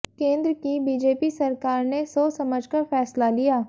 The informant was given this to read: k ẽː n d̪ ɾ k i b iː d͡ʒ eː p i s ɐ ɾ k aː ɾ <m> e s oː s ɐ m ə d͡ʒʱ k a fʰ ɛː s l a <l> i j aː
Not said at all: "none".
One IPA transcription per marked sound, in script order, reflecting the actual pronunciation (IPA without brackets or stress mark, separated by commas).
n, l